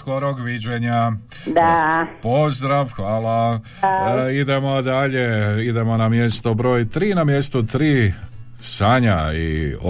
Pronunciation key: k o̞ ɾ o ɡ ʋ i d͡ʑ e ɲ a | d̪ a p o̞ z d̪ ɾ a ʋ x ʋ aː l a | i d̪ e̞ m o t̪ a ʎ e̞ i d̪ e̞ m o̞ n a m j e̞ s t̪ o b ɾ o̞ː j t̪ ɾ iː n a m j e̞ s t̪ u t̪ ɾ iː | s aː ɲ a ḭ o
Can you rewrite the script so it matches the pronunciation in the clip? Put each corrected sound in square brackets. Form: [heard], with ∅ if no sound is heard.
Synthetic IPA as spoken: k o̞ ɾ o ɡ ʋ i d͡ʑ e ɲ a | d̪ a p o̞ z d̪ ɾ a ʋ x ʋ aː l a | i d̪ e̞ m o [d̪] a ʎ e̞ i d̪ e̞ m o̞ n a m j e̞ s t̪ o b ɾ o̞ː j t̪ ɾ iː n a m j e̞ s t̪ u t̪ ɾ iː | s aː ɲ a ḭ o